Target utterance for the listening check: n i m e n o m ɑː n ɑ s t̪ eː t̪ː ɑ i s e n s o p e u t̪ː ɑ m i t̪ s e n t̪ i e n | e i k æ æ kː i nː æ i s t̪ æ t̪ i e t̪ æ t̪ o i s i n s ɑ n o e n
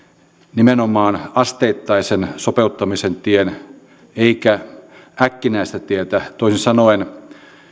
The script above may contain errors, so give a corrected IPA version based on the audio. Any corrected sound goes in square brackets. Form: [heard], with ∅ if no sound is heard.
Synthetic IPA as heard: n i m e n o m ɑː n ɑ s t̪ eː t̪ː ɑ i s e n s o p e u t̪ː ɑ m i [∅] s e n t̪ i e n | e i k æ æ kː i [n] æ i s t̪ æ t̪ i e t̪ æ t̪ o i s i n s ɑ n o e n